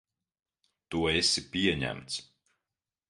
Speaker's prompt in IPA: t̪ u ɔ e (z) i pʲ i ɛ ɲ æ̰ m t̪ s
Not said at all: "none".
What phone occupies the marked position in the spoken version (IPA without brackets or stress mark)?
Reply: s